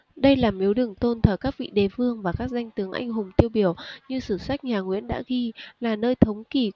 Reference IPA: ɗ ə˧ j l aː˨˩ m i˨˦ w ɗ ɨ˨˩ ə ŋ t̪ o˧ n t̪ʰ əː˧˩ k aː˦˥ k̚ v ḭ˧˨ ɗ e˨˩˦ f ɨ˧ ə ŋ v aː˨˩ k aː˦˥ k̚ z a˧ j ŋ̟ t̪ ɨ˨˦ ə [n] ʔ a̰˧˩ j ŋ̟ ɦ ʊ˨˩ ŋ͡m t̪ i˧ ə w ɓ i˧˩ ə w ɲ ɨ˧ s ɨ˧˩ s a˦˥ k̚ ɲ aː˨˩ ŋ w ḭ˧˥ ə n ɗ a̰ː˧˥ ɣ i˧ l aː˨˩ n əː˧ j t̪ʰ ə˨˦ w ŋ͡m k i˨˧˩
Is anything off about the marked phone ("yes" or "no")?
yes